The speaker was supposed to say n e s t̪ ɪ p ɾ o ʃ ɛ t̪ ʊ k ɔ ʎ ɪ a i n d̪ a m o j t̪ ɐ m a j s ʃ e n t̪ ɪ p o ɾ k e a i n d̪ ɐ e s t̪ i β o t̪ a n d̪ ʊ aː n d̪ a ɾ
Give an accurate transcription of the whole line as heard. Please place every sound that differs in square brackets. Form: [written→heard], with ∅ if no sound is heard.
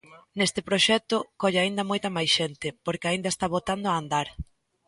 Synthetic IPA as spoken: n e s t̪ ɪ p ɾ o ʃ ɛ t̪ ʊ k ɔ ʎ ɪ a i n d̪ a m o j t̪ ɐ m a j s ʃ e n t̪ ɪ p o ɾ k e a i n d̪ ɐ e s t̪ [i→a] β o t̪ a n d̪ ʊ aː n d̪ a ɾ